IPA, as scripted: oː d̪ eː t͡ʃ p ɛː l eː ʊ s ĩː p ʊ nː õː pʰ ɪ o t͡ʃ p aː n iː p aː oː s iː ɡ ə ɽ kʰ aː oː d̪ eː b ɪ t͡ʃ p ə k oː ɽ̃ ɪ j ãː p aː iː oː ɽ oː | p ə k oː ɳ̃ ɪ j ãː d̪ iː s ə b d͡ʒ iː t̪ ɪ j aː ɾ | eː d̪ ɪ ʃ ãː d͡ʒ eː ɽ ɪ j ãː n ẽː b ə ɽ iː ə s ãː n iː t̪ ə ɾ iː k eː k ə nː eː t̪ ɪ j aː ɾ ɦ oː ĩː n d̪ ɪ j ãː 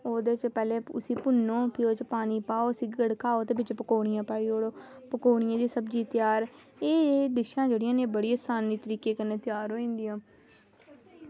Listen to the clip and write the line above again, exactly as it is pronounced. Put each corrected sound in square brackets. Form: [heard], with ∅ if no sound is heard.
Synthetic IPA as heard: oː d̪ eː t͡ʃ p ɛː l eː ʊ s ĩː p ʊ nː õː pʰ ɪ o t͡ʃ p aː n iː p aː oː s iː ɡ ə ɽ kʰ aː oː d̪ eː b ɪ t͡ʃ p ə k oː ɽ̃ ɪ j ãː p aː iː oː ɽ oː | p ə k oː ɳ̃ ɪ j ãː d̪ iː s ə b d͡ʒ iː t̪ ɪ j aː ɾ | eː d̪ ɪ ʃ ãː d͡ʒ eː ɽ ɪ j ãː n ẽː b ə ɽ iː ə s [aː] n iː t̪ ə ɾ iː k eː k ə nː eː t̪ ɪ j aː ɾ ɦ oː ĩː n d̪ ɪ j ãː